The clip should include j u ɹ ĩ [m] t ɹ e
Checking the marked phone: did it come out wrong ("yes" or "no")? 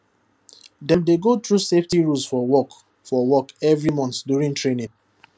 yes